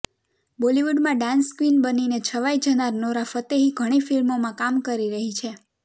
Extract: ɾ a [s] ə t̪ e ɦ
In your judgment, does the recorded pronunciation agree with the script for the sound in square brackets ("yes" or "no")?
no